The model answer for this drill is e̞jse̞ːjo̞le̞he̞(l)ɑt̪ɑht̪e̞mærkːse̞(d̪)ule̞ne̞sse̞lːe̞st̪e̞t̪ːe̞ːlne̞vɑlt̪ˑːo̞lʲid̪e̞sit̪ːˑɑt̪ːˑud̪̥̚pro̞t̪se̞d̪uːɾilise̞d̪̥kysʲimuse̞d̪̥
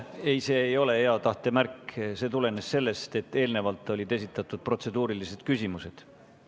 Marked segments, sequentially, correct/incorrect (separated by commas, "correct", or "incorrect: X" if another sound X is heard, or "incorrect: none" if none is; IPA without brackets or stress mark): incorrect: none, incorrect: t̪